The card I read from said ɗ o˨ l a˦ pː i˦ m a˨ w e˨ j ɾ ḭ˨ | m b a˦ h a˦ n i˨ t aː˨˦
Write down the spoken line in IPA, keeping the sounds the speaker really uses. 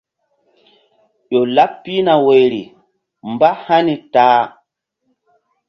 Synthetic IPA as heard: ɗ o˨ l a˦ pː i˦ n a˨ w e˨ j ɾ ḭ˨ | m b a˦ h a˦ n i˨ t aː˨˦